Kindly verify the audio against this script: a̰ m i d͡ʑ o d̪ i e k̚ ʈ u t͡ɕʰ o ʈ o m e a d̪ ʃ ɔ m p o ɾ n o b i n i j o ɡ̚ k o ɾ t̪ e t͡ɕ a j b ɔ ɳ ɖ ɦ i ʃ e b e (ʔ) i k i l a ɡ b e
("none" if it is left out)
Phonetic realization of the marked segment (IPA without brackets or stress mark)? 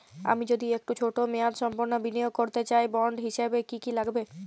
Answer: k